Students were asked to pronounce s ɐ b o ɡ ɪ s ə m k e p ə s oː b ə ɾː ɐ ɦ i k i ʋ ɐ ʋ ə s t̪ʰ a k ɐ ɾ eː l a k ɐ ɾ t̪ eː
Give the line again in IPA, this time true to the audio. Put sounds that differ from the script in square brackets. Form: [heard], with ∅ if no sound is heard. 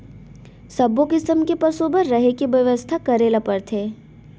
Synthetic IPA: s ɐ b o [k] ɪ s ə m k e p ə s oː b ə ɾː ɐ ɦ [e] k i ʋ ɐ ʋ ə s t̪ʰ a k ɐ ɾ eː l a [p] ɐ ɾ [t̪ʰ] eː